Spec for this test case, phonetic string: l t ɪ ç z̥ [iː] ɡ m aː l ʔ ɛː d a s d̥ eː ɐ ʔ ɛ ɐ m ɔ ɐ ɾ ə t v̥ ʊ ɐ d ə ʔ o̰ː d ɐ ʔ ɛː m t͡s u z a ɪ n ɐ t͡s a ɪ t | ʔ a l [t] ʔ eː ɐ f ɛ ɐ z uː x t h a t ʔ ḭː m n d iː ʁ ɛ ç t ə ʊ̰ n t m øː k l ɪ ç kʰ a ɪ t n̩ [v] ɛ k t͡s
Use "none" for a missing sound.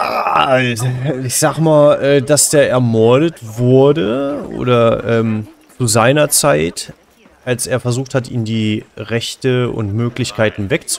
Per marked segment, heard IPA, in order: aː, s, v

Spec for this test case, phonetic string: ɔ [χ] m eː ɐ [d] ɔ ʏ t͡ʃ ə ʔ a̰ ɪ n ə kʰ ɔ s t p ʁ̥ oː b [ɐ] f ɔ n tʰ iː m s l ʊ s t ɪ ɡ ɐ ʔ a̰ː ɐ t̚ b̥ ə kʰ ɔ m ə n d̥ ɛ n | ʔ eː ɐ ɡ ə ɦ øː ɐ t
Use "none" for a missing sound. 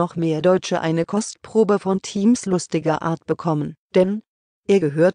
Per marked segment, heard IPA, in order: χ, d, ə

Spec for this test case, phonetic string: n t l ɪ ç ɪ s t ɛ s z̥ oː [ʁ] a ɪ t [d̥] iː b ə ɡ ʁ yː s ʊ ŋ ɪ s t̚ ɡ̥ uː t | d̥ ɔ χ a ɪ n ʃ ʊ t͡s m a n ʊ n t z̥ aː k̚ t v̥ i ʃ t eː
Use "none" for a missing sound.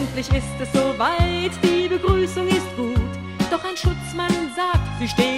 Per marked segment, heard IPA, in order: v, d̥

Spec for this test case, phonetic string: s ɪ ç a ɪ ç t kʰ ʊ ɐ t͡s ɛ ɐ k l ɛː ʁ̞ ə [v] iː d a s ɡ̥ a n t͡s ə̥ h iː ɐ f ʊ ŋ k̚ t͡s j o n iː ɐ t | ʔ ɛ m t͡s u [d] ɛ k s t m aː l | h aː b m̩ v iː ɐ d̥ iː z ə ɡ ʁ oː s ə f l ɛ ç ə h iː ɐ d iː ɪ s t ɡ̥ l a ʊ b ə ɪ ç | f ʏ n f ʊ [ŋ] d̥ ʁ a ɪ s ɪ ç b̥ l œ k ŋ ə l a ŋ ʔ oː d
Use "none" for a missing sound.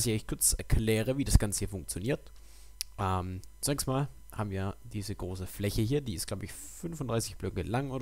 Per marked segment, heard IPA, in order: v, n, n

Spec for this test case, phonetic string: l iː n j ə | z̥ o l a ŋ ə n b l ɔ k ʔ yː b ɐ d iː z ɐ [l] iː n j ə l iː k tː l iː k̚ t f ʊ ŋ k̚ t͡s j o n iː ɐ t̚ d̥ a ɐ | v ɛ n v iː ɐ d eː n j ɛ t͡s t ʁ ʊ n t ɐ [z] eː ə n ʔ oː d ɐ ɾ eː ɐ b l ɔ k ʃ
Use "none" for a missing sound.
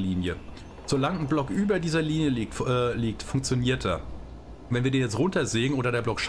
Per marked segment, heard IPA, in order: l, z

